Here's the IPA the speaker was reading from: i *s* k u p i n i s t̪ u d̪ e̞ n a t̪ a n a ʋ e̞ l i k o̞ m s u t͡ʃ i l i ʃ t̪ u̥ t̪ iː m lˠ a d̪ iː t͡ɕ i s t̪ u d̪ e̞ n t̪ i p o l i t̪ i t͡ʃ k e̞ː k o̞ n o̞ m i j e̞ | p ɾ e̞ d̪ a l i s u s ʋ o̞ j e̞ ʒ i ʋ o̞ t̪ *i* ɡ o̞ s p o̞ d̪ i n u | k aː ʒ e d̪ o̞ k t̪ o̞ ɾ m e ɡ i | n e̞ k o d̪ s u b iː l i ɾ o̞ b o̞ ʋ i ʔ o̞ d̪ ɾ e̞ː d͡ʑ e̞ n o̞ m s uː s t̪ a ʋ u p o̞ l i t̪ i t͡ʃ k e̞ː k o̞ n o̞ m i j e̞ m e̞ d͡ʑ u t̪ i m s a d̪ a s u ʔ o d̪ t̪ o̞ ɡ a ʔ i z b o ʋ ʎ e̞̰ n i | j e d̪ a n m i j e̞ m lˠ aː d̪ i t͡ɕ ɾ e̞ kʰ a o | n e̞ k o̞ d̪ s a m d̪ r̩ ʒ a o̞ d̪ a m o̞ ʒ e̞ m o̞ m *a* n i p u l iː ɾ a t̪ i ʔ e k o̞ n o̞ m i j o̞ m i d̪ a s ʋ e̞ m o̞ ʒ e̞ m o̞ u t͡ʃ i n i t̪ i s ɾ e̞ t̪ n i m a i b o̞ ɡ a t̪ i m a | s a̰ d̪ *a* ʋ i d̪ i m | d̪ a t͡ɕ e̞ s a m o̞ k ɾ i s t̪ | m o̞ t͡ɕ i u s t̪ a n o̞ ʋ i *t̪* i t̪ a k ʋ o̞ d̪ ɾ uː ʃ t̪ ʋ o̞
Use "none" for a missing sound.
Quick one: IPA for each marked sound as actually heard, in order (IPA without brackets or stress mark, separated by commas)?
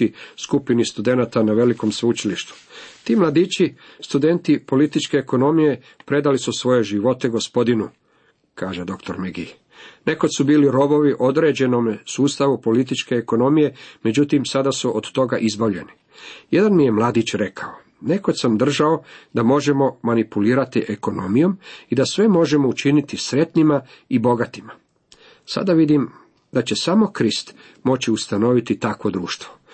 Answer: s, e, a, a, t̪